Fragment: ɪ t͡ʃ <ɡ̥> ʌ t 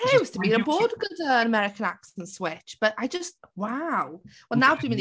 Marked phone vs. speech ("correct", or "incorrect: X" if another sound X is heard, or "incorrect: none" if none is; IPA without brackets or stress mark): incorrect: b̥